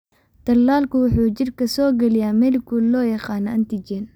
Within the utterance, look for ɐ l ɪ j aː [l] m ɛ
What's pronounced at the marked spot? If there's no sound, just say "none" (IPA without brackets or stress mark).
none